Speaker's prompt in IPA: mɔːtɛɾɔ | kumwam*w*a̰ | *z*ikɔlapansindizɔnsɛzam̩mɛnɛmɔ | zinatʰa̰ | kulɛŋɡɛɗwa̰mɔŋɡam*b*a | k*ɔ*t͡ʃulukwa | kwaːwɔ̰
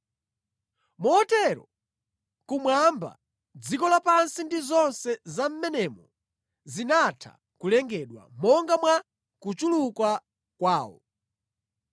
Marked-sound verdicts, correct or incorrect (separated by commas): incorrect, incorrect, incorrect, incorrect